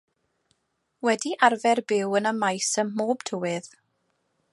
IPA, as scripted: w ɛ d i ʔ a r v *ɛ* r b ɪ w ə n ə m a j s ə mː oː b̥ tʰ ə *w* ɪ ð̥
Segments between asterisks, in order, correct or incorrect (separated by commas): correct, correct